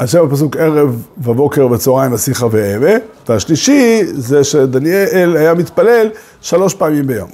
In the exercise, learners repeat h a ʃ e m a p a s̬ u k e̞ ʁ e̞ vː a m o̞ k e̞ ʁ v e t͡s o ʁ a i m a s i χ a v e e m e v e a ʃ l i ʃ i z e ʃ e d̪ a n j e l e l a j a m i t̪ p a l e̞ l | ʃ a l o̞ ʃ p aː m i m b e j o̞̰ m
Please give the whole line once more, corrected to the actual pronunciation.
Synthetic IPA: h a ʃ e m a p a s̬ u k e̞ ʁ e̞ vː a b o̞ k e̞ ʁ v e t͡s o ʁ a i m a s i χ a v e e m e v e a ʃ l i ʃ i z e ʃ e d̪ a n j e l e l a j a m i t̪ p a l e̞ l | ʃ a l o̞ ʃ p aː m i m b e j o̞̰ m